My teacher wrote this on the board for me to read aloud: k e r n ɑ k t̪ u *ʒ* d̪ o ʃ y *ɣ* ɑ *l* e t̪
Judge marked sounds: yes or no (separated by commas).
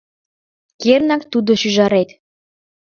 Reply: no, no, no